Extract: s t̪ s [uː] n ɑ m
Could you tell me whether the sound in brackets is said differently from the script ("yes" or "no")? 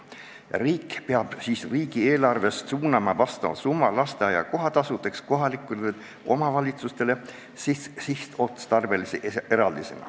no